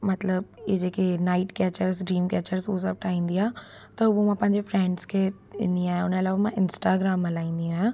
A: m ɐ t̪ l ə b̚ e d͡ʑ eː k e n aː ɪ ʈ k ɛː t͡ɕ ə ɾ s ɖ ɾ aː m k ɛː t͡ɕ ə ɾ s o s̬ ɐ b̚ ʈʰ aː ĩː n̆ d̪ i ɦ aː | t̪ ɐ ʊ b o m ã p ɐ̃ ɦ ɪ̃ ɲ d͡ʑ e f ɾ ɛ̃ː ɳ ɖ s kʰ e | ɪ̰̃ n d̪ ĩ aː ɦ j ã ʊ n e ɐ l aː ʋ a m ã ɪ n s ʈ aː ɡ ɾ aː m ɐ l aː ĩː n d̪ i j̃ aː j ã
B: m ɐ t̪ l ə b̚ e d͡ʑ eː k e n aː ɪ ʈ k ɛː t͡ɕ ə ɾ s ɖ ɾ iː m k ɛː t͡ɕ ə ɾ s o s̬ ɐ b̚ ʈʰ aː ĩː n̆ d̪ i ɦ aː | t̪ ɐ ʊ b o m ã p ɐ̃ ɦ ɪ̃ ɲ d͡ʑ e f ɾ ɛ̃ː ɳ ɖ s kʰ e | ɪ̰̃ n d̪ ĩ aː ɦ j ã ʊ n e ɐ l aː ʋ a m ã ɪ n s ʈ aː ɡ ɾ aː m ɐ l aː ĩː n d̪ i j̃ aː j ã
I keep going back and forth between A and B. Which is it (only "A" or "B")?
B